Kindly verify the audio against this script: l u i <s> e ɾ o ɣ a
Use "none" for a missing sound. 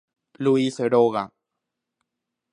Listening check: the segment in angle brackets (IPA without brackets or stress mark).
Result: s